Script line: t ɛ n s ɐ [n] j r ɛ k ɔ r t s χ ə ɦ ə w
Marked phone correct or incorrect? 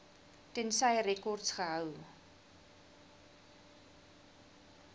incorrect: none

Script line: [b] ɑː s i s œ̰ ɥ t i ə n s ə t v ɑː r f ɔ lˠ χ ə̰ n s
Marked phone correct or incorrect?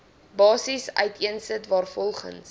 correct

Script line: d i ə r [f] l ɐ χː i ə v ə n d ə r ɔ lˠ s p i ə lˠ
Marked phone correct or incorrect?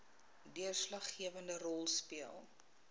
incorrect: s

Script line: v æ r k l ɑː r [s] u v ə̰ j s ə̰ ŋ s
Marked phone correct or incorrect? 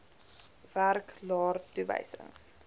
incorrect: t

